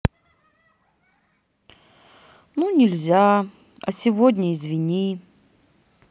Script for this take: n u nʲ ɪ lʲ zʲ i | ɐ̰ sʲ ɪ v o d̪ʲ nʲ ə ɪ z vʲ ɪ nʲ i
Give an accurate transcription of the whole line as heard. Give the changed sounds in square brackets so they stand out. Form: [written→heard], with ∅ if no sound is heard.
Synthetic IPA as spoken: n u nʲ ɪ lʲ zʲ [i→a] | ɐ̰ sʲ ɪ v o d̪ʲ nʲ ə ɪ z vʲ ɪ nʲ i